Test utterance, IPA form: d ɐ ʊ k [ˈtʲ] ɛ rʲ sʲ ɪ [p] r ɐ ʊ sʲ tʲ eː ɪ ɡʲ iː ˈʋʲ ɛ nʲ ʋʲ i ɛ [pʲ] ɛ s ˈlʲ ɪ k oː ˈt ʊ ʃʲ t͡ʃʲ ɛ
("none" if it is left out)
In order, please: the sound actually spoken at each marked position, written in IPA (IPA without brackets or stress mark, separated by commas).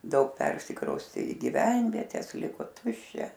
pʲ, k, tʲ